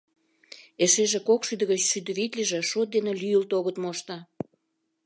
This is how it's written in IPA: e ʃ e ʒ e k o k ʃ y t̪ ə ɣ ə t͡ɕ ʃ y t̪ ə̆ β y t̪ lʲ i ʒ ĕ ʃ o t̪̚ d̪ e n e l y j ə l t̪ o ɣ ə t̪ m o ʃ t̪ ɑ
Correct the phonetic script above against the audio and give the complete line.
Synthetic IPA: e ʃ e ʒ e k o k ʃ y d̪ ə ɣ ə t͡ɕ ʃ y d̪ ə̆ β i t̪ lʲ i ʒ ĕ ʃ o t̪̚ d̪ e n e l y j ə l t̪ o ɣ ə t̪ m o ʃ t̪ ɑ